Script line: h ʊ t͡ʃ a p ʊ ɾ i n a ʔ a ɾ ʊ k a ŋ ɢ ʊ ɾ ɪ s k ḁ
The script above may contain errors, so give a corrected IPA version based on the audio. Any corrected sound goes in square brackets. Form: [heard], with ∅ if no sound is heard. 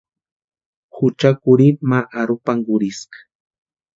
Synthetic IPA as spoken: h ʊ t͡ʃ a [k] ʊ ɾ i [m] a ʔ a ɾ ʊ [p] a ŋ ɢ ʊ ɾ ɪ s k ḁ